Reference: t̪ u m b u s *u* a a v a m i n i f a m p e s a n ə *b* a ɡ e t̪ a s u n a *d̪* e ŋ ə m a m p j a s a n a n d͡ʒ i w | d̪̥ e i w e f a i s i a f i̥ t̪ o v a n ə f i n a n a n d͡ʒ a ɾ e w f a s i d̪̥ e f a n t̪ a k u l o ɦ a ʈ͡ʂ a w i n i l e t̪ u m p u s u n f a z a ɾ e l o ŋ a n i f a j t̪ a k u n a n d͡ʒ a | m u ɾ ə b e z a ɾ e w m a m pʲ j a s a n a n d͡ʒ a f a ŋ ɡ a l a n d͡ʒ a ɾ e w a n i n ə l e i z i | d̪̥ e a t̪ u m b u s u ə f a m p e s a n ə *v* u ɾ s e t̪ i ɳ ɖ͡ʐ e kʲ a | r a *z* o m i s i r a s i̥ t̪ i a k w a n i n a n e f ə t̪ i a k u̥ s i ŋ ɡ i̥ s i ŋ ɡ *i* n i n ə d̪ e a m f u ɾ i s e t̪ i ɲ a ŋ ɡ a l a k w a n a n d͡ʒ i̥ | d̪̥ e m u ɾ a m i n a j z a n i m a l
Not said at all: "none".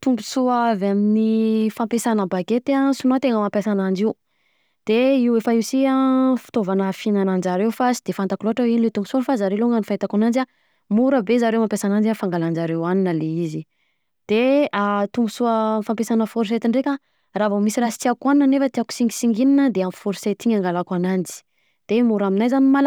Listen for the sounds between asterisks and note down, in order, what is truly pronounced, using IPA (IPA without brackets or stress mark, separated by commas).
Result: u, b, t̪, f, v, i